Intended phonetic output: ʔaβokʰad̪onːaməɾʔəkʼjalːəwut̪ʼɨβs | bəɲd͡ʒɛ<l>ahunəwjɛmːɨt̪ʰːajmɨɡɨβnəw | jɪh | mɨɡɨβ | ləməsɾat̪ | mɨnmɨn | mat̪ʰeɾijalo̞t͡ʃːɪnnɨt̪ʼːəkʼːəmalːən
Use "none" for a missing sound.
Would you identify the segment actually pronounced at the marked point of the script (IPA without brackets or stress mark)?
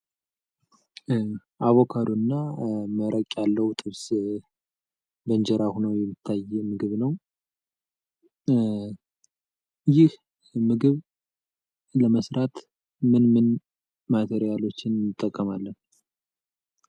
ɾ